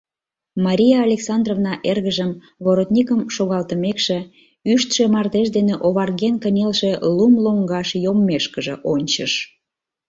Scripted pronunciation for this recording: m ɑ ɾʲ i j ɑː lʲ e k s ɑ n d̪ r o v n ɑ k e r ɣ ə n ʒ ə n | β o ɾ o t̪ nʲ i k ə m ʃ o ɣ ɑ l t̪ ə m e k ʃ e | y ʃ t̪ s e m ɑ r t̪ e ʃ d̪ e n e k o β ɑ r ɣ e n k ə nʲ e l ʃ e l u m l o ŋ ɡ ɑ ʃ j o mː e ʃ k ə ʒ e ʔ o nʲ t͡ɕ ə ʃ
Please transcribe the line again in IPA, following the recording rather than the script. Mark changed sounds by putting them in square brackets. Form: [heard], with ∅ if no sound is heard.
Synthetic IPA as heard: m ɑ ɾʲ i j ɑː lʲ e k s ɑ n d̪ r o v n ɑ [ʔ] e r ɣ ə [∅] ʒ ə [m] | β o ɾ o t̪ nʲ i k ə m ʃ o ɣ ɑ l t̪ ə m e k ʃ e | y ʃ t̪ [ʃ] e m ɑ r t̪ e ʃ d̪ e n e [ʔ] o β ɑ r ɣ e n k ə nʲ e l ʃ e l u m l o ŋ ɡ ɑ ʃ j o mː e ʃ k ə ʒ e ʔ o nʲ t͡ɕ ə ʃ

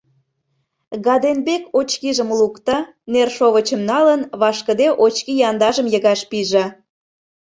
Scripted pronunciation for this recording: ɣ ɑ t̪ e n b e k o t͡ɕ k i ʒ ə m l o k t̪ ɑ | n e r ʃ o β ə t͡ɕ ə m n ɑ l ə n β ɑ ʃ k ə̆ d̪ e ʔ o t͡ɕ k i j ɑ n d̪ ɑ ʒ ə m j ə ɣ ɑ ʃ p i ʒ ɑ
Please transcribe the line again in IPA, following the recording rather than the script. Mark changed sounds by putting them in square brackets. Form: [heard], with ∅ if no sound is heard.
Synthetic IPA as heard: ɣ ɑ [d̪] e n b e k o t͡ɕ k i ʒ ə m l [u] k t̪ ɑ | n e r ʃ o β ə t͡ɕ ə m n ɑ l ə n β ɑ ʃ k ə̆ d̪ e ʔ o t͡ɕ k i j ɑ n d̪ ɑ ʒ ə m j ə ɣ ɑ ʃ p i ʒ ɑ

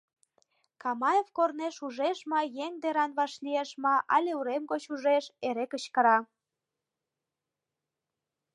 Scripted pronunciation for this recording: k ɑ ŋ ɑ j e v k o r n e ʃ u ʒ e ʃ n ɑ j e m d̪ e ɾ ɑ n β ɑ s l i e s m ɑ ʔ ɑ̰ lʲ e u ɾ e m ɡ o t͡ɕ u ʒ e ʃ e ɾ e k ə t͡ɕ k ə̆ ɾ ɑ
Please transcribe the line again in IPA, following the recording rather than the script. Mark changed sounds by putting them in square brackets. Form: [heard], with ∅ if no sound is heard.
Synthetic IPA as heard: k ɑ [m] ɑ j e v k o r n e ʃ u ʒ e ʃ [m] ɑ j e [ŋ] d̪ e ɾ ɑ n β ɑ [ʃ] l i e [ʃ] m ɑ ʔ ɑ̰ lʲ e u ɾ e m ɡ o t͡ɕ u ʒ e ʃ e ɾ e k ə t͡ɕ k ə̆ ɾ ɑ

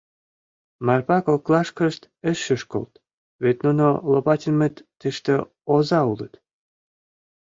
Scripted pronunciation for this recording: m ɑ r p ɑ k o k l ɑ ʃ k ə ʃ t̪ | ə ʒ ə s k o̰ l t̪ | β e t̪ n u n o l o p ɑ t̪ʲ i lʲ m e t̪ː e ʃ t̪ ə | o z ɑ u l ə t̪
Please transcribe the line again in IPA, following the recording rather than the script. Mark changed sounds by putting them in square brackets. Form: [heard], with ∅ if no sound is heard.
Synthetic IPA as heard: m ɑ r p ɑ k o k l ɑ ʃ k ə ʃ t̪ | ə [ʃ] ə [ʃ] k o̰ l t̪ | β e t̪ n u n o l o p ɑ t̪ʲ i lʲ m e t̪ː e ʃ t̪ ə | o z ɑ u l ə t̪

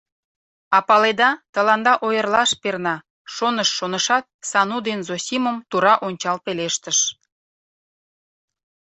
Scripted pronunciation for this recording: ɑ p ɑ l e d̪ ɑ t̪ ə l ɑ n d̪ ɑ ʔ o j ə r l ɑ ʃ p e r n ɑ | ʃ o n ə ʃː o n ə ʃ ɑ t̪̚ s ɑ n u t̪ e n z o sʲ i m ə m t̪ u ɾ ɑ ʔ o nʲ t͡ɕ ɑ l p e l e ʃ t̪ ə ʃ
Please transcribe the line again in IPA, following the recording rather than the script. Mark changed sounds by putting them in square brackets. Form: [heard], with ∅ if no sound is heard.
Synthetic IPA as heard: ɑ p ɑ l e d̪ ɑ t̪ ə l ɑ n d̪ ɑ ʔ o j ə r l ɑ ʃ p e r n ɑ | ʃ o n ə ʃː o n ə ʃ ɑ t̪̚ s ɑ n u [d̪] e n z o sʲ i m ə m t̪ u ɾ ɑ ʔ o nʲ t͡ɕ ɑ l p e l e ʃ t̪ ə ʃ

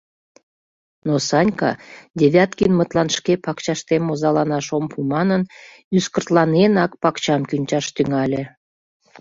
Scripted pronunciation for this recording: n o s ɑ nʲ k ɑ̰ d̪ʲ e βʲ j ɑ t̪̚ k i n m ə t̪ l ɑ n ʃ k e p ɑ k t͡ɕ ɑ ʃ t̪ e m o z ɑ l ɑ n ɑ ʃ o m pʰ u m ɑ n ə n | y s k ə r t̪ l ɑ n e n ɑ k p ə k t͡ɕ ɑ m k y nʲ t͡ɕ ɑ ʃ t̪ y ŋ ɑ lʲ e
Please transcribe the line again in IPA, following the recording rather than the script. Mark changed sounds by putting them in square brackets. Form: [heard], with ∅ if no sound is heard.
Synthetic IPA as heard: n o s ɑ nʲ k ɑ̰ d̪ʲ e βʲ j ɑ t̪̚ k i n m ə t̪ l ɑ n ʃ k e p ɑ k t͡ɕ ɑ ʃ t̪ e m o z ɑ l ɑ n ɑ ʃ o m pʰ u m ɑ n ə n | y s k ə r t̪ l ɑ n e n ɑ k p [ɑ] k t͡ɕ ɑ m k y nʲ t͡ɕ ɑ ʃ t̪ y ŋ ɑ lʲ e

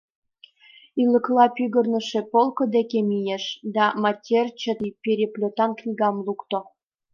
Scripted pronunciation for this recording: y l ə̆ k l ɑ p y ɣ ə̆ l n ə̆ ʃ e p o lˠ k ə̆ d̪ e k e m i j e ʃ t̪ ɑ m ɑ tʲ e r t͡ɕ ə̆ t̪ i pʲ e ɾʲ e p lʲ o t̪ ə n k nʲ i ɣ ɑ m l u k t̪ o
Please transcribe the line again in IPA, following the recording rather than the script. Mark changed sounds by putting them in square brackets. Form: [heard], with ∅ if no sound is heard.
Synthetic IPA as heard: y l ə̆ k l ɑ p y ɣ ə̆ [r] n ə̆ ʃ e p o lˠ k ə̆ d̪ e k e m i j e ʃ [d̪] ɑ m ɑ tʲ e r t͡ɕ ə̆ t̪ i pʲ e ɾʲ e p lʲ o t̪ [ɑ] n k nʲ i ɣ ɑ m l u k t̪ o

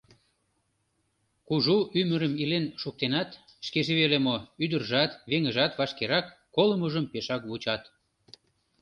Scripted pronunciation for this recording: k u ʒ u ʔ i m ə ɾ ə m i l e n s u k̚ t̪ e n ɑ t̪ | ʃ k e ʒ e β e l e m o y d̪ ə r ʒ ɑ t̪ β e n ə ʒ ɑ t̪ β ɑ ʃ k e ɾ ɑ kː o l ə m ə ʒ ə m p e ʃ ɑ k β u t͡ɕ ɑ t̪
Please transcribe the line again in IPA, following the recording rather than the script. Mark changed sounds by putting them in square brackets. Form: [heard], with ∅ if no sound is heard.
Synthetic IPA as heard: k u ʒ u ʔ [y] m ə ɾ ə m i l e n [ʃ] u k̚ t̪ e n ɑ t̪ | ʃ k e ʒ e β e l e m o y d̪ ə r ʒ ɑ t̪ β e [ŋ] ə ʒ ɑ t̪ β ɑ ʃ k e ɾ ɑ kː o l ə m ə ʒ ə m p e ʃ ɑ k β u t͡ɕ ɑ t̪

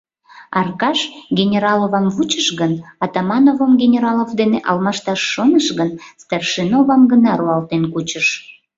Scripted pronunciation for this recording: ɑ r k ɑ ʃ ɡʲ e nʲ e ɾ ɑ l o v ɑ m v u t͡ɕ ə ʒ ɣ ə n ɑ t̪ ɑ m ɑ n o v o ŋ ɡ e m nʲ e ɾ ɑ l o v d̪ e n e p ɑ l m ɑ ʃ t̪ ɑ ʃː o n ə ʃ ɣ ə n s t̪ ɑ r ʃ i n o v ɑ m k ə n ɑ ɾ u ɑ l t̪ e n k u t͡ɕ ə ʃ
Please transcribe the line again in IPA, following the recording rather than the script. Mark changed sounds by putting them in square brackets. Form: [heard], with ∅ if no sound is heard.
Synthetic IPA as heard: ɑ r k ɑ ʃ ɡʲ e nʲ e ɾ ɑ l o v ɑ m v u t͡ɕ ə [ʃ] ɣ ə n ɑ t̪ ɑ m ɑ n o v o [m] ɡ e [∅] nʲ e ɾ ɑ l o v d̪ e n e [ʔ] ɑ l m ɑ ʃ t̪ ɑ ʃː o n ə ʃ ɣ ə n s t̪ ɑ r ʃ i n o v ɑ m [ɡ] ə n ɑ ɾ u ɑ l t̪ e n k u t͡ɕ ə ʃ

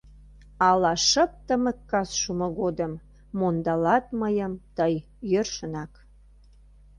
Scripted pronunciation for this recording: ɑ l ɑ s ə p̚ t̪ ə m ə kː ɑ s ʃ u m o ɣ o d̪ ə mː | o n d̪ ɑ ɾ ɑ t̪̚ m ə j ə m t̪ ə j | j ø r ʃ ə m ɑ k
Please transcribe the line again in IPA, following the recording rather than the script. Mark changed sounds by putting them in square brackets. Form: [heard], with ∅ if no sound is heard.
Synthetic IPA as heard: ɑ l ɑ [ʃ] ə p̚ t̪ ə m ə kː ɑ s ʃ u m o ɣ o d̪ ə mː | o n d̪ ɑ [l] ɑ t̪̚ m ə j ə m t̪ ə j | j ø r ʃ ə [n] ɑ k

